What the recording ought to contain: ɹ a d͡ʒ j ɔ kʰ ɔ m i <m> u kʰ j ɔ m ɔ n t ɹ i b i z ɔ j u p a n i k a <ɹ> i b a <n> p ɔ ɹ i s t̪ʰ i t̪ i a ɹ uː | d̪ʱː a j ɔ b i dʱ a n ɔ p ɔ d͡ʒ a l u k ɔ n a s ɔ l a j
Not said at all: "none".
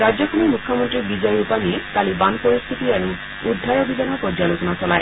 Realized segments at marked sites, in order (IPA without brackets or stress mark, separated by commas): m, l, n